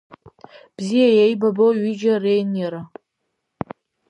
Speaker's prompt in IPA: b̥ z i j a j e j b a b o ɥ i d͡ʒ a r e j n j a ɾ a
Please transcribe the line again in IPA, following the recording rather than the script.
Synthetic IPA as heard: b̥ z i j a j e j b a b o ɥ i d͡ʒ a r e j n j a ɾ a